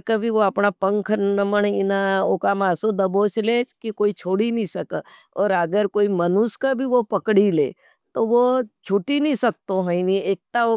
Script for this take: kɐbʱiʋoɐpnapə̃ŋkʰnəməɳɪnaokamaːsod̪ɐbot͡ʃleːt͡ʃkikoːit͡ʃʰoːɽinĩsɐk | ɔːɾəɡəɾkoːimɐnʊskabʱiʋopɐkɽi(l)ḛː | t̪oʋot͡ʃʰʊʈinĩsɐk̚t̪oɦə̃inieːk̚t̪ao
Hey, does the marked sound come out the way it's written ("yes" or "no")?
yes